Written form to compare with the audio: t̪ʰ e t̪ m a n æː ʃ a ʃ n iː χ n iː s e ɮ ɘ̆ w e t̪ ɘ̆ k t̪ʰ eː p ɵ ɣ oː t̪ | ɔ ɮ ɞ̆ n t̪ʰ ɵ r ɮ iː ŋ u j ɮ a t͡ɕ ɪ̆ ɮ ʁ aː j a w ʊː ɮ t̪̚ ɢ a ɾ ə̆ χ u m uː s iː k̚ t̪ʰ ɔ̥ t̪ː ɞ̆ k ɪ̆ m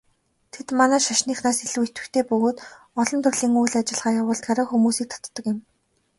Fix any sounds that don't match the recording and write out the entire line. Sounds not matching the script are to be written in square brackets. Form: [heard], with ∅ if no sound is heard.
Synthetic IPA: t̪ʰ e t̪ m a n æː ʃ a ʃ n iː χ n [aː] s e ɮ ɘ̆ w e t̪ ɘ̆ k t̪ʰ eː p ɵ ɣ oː t̪ | ɔ ɮ ɞ̆ n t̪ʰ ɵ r ɮ iː ŋ u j ɮ a t͡ɕ ɪ̆ ɮ ʁ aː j a w ʊː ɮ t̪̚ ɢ a ɾ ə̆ [x] u m uː s iː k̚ t̪ʰ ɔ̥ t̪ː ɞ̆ k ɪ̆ m